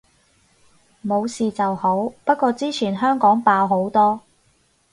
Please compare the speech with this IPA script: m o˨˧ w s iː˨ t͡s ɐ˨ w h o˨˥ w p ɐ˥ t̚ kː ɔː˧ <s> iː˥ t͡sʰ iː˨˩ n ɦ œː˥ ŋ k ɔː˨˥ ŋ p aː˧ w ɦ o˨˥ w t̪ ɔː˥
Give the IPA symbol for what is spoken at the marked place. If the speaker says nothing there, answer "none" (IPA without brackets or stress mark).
t͡s